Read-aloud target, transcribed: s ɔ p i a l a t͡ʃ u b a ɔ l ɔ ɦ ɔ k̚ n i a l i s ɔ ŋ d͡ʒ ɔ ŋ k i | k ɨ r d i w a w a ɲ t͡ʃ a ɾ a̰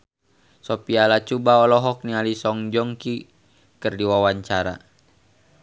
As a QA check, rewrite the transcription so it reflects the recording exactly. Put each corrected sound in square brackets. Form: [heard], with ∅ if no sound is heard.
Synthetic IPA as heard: s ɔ p i a l a t͡ʃ u b a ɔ l ɔ ɦ ɔ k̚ n i a l i s ɔ ŋ d͡ʒ ɔ ŋ k i | k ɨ r d i w a w a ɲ t͡ʃ a ɾ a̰